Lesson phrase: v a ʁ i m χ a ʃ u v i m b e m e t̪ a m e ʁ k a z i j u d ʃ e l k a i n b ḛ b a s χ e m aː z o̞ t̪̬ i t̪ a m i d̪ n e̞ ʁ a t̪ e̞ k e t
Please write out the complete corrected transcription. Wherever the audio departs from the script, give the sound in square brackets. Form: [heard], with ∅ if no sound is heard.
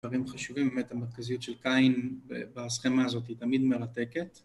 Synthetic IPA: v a ʁ i m χ a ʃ u v i m b e m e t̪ a m e ʁ k a z i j u [t] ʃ e l k a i n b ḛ b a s χ e m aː z o̞ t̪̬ i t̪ a m i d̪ [m] e̞ ʁ a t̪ e̞ k e t